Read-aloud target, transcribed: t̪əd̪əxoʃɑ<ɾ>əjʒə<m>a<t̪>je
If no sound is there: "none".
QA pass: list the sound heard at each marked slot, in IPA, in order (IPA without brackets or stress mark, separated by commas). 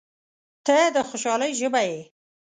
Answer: l, b, none